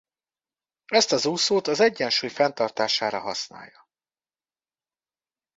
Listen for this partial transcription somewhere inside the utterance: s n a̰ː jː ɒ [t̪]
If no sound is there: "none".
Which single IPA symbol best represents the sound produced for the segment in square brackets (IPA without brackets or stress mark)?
none